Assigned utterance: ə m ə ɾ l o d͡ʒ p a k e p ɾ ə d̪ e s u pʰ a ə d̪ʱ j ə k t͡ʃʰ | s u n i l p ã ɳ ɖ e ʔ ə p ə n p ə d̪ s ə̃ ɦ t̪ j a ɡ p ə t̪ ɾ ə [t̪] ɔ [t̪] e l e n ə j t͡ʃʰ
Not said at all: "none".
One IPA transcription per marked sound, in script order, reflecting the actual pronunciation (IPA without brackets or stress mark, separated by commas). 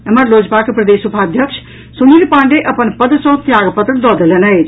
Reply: d̪, d̪